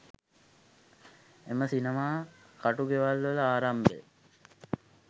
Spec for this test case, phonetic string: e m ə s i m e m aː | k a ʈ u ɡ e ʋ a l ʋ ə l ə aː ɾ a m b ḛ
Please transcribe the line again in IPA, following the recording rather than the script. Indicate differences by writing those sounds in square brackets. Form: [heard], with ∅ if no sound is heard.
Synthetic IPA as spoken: e m ə s i [n] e m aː | k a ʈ u ɡ e ʋ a l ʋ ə l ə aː ɾ a m b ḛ